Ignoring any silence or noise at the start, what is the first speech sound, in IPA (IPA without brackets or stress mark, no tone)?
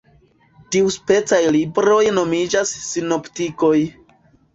t